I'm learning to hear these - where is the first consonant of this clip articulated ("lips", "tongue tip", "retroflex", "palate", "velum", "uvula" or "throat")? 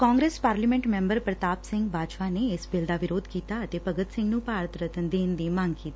velum